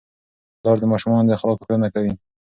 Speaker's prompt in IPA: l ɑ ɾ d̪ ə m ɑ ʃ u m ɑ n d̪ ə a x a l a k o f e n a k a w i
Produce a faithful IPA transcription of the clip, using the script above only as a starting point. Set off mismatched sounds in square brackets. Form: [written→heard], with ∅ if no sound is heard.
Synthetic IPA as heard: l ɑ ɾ d̪ ə m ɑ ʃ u m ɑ n d̪ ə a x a l [a→ɑ] k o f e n a k a w i

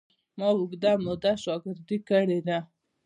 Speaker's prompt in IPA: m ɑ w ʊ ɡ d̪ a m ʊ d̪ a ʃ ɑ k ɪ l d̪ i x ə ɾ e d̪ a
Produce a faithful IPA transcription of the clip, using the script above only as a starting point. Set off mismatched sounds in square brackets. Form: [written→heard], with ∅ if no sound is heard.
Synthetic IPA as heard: m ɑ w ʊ ɡ d̪ a m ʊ d̪ a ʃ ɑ [k→ɡ] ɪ [l→ɾ] d̪ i [x→k] ə [ɾ→ɽ] e d̪ a

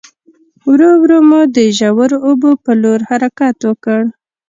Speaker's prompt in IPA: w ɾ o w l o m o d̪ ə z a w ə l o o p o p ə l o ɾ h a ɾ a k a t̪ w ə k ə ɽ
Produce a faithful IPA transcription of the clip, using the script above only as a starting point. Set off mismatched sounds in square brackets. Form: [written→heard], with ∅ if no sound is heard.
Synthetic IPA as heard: w ɾ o w [l→ɾ] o m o d̪ ə [z→ʒ] a w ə [l→ɾ] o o [p→b] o p ə l o ɾ h a ɾ a k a t̪ w ə k ə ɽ

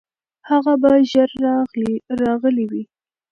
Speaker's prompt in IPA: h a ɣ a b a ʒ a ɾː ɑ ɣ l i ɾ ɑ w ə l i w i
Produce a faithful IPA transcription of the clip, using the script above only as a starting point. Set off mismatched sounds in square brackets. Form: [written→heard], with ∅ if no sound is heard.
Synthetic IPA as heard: h a ɣ a b a ʒ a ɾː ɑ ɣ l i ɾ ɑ [w→ɣ] ə l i w i

